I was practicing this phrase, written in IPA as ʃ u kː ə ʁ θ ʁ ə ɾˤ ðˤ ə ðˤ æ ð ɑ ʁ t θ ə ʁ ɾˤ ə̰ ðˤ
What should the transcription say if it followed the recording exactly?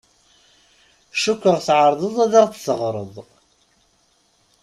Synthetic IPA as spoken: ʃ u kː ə ʁ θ ʕ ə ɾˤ ðˤ ə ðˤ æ ð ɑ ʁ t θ ə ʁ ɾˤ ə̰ ðˤ